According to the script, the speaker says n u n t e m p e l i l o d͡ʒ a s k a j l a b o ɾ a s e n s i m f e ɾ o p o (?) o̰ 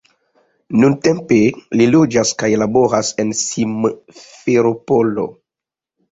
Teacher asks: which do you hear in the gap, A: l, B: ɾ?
A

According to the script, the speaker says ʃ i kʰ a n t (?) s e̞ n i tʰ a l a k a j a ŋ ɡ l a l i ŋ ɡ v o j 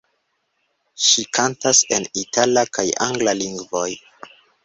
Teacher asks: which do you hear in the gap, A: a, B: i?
A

